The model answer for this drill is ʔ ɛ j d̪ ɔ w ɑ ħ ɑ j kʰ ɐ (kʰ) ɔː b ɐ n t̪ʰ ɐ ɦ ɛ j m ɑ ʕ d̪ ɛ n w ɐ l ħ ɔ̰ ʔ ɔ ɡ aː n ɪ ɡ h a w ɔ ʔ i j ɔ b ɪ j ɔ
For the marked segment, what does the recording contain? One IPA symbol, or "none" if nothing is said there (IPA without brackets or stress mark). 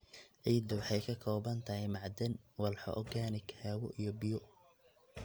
kʰ